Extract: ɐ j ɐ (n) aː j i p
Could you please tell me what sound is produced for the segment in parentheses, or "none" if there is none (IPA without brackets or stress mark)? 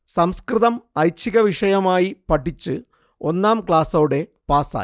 m